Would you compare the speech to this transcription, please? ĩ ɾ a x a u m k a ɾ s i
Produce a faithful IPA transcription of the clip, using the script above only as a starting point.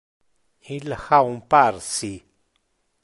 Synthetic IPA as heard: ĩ l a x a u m p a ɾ s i